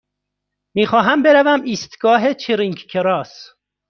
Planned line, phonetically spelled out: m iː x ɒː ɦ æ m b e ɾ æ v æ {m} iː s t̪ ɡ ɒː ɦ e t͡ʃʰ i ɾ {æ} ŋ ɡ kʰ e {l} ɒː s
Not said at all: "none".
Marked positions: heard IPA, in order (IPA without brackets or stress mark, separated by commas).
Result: m, i, ɾ